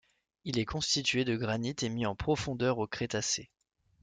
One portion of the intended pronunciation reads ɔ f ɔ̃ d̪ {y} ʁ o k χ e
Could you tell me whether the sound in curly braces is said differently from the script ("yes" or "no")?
yes